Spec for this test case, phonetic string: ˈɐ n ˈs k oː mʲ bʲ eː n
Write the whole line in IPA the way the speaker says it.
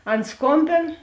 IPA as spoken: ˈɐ n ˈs k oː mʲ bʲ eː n